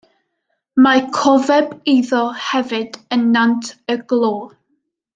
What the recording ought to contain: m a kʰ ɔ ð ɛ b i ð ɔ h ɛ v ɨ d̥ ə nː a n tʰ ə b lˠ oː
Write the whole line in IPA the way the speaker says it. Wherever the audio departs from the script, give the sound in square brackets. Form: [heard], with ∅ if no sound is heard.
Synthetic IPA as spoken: m a kʰ ɔ [v] ɛ b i ð ɔ h ɛ v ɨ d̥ ə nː a n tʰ ə [ɡ] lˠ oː